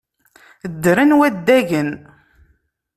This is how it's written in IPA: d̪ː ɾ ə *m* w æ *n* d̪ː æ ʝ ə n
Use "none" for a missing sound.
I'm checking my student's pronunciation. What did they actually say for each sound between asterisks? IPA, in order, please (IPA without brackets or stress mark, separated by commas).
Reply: n, none